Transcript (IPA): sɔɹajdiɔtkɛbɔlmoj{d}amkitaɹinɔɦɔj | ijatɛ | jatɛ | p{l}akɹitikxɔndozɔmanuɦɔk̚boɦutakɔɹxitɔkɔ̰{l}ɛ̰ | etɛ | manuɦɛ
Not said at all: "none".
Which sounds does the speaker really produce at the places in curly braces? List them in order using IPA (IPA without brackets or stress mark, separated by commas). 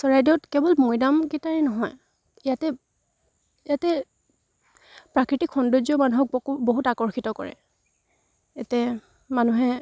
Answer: d, ɹ, ɹ